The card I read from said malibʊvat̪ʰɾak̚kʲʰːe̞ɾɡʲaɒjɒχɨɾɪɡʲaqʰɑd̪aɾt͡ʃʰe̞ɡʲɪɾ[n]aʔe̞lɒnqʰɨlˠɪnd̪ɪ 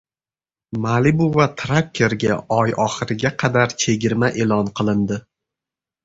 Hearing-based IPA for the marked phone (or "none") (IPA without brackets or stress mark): m